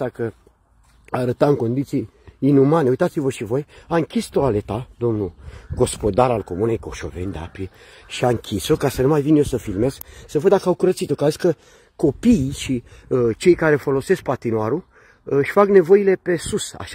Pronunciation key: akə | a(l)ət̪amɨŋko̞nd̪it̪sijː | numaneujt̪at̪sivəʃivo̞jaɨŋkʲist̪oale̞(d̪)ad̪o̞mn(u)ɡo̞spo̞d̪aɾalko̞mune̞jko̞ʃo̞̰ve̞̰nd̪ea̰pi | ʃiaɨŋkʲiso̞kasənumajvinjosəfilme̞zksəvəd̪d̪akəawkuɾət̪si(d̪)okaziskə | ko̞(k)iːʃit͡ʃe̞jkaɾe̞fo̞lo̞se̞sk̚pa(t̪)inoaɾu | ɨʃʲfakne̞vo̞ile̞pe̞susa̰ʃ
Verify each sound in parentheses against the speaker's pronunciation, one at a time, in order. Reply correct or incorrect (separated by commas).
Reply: incorrect, incorrect, correct, incorrect, incorrect, correct